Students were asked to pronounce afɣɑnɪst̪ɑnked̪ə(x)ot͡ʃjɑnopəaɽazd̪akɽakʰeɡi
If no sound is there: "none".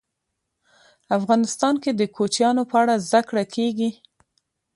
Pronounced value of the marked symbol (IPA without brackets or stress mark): k